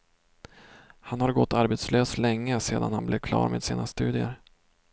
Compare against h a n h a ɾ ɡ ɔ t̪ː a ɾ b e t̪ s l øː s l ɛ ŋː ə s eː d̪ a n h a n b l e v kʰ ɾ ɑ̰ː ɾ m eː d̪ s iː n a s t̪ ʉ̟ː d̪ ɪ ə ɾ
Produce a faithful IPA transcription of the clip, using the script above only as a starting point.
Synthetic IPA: h a n h a ɾ ɡ ɔ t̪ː a ɾ b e t̪ s l øː s l ɛ ŋː ə s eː d̪ a n h a n b l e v kʰ l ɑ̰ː ɾ m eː d̪ s iː n a s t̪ ʉ̟ː d̪ ɪ ə ɾ